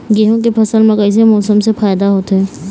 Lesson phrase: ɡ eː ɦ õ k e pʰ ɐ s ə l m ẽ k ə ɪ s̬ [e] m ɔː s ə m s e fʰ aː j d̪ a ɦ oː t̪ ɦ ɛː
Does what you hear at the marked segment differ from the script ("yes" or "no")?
no